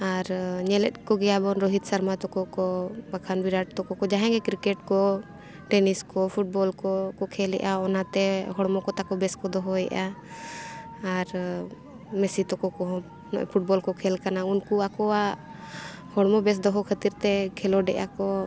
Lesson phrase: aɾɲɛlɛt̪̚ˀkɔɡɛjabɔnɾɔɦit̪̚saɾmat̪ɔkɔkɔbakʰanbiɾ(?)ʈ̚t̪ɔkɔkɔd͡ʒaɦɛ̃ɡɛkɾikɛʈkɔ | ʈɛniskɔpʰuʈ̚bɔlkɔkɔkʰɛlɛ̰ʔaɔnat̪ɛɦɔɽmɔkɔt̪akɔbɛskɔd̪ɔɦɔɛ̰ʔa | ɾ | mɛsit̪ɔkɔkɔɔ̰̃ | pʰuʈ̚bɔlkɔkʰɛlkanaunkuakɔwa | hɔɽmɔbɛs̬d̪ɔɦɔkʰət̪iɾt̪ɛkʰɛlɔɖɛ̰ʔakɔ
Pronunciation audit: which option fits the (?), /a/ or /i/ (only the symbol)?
a